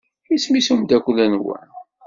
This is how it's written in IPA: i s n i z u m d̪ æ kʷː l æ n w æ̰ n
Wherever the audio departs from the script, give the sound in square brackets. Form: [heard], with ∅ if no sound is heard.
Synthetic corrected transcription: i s [m] i [s] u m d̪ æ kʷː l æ n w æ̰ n